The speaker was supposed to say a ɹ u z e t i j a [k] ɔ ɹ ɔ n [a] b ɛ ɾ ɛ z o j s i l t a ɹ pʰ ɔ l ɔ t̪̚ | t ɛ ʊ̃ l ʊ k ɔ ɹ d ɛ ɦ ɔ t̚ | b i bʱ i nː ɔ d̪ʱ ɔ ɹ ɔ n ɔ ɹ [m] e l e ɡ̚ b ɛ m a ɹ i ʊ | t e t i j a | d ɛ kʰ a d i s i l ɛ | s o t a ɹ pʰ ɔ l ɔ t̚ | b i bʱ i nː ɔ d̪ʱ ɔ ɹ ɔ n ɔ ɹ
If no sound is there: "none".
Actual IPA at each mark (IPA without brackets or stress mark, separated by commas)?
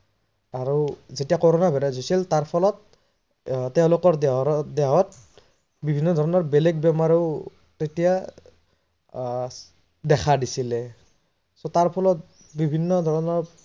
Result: k, a, b